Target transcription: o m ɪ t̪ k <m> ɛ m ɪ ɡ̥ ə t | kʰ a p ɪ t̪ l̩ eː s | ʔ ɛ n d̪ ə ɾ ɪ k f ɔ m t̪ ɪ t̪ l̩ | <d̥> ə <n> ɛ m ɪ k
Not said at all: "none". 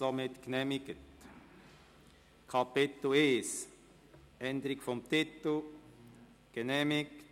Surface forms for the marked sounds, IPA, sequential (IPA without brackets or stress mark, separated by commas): n, ɡ̥, n